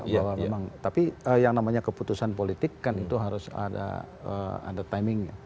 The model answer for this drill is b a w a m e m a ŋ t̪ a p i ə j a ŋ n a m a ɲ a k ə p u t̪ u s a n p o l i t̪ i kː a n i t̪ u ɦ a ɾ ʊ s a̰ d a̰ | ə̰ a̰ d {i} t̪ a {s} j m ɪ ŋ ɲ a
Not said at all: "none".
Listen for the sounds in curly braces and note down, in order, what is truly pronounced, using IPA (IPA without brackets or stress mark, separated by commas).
a, none